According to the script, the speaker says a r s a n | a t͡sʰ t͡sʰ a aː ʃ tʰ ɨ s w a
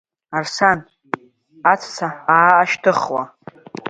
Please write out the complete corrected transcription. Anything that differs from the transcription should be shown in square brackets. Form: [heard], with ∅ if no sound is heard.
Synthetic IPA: a r s a n | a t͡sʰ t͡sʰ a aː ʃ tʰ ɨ [χ] w a

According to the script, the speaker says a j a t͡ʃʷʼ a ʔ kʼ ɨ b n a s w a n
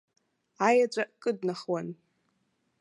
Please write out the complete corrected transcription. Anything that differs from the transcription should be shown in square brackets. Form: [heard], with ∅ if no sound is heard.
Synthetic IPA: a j a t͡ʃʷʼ a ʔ kʼ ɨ [d] n a [χ] w a n

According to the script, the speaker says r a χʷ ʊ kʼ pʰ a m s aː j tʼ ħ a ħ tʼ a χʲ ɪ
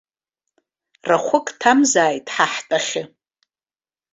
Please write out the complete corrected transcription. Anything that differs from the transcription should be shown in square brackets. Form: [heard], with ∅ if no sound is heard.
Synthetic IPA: r a χʷ ʊ kʼ [tʰ] a m [z] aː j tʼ ħ a ħ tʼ a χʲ ɪ

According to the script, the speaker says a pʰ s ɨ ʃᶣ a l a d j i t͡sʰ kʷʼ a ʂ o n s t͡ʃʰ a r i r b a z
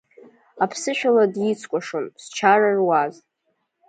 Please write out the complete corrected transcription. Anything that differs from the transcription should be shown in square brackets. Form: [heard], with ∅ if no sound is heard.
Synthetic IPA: a pʰ s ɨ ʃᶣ a l a d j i t͡sʰ kʷʼ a ʂ o n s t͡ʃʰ a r [a] r [w] a z

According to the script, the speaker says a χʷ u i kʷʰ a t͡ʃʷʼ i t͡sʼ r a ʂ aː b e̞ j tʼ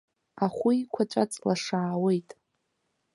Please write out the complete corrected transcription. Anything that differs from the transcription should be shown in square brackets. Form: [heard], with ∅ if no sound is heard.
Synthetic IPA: a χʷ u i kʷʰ a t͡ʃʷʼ [a] t͡sʼ [l] a ʂ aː [w] e̞ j tʼ

